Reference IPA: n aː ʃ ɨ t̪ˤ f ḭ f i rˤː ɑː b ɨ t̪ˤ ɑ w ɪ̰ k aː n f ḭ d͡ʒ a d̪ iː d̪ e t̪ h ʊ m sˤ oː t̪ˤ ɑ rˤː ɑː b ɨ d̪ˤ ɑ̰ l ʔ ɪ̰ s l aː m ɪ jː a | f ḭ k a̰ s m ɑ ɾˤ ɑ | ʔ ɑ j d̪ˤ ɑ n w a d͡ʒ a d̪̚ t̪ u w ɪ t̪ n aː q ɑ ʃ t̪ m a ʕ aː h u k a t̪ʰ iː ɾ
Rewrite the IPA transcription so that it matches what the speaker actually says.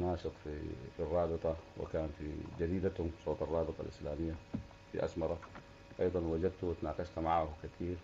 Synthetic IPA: n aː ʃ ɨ t̪ˤ f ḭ f i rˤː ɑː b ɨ t̪ˤ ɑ w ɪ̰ k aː n f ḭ d͡ʒ a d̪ iː d̪ a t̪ h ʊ m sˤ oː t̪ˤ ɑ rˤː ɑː b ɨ t̪ˤ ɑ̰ l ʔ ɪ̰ s l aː m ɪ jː a | f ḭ ʔ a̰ s m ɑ ɾˤ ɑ | ʔ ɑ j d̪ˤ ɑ n w a d͡ʒ a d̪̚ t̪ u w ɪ t̪ n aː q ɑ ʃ t̪ m a ʕ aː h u k a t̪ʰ iː ɾ

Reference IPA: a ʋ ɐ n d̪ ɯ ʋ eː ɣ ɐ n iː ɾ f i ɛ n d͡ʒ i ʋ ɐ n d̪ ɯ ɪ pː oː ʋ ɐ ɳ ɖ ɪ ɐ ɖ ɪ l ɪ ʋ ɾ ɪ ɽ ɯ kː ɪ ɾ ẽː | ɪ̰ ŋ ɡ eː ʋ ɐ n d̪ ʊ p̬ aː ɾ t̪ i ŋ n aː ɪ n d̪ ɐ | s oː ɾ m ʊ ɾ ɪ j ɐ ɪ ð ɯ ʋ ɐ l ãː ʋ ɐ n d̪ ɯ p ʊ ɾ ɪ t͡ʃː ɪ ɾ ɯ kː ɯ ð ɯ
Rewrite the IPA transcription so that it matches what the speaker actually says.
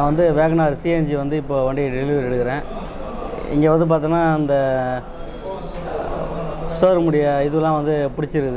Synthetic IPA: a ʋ ɐ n d̪ ɯ ʋ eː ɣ ɐ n aː ɾ s i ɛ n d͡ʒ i ʋ ɐ n d̪ ɯ ɪ pː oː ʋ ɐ ɳ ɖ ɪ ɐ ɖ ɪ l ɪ ʋ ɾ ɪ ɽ ɯ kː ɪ ɾ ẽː | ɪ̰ ŋ ɡ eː ʋ ɐ n d̪ ɯ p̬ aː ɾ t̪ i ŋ n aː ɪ n d̪ ɐ | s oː ɾ m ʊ ɽ ɪ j ɐ ɪ ð ɯ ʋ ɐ l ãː ʋ ɐ n d̪ ɯ p ʊ ɽ ɪ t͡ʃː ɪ ɾ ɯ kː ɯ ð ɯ

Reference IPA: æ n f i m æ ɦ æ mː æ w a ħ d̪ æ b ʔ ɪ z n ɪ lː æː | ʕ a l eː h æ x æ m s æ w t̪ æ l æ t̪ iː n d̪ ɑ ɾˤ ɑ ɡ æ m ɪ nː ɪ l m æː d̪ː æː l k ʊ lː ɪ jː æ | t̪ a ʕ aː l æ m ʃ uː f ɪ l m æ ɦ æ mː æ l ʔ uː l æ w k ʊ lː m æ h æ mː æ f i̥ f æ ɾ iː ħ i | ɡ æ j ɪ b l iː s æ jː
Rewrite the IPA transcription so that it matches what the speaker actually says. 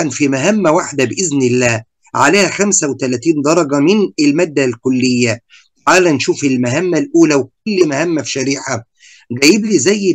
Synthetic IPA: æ n f i m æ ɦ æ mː æ w a ħ d̪ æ b ʔ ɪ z n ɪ lː æː | ʕ a l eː h æ x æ m s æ w t̪ æ l æ t̪ iː n d̪ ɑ ɾˤ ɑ ɡ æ m ɪ n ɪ l m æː d̪ː æ l k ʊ lː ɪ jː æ | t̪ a ʕ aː l æ n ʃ uː f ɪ l m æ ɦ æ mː æ l ʔ uː l æ w k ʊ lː m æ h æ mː æ f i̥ ʃ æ ɾ iː ħ a | ɡ æ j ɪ b l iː z æ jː

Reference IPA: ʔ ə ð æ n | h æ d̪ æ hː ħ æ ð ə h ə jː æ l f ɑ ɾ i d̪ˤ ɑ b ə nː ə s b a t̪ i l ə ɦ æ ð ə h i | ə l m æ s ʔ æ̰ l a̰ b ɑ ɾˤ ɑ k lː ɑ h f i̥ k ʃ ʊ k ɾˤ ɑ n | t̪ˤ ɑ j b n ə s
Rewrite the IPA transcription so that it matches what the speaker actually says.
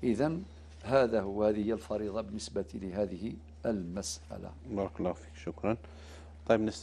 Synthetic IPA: ʔ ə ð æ n | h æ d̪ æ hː h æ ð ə h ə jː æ l f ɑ ɾ i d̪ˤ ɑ b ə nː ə s b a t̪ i l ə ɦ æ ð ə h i | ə l m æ s ʔ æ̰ l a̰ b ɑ ɾˤ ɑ k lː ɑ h f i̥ k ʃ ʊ k ɾˤ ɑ n | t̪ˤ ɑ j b n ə s

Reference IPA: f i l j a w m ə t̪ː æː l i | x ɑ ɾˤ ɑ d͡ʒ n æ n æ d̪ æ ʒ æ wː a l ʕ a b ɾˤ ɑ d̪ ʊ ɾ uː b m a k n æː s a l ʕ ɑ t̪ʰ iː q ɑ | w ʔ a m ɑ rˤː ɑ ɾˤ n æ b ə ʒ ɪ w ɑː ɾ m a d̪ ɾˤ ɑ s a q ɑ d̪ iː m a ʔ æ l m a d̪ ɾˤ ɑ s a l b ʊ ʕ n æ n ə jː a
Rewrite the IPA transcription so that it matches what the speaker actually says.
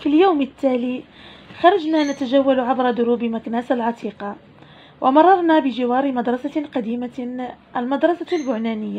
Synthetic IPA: f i l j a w m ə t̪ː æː l i | x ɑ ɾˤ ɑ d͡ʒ n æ n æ t̪ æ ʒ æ wː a l ʕ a b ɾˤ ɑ d̪ ʊ ɾ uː b m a k n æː s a l ʕ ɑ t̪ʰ iː q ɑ | w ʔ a m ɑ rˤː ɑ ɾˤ n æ b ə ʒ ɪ w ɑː ɾ m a d̪ ɾˤ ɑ s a q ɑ d̪ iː m a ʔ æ l m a d̪ ɾˤ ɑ s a l b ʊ ʕ n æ n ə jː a

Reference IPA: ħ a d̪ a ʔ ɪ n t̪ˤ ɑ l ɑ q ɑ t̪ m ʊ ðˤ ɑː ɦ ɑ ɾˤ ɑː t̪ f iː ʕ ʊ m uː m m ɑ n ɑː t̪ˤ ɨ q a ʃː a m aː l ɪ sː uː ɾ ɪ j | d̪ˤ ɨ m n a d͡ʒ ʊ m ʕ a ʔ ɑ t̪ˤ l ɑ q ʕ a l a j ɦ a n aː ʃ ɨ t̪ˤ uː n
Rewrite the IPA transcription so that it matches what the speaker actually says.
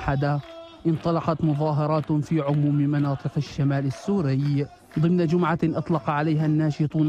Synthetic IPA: ħ a d̪ a ʔ ɪ n t̪ˤ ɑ l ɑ q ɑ t̪ m ʊ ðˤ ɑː ɦ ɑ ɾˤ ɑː t̪ f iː ʕ ʊ m uː m m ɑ n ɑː t̪ˤ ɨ q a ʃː a m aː l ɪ sː uː ɾ ɪ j | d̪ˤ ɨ m n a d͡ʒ ʊ m ʕ a ʔ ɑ t̪ˤ l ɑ q ʕ a l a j ɦ a nː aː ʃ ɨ t̪ˤ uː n

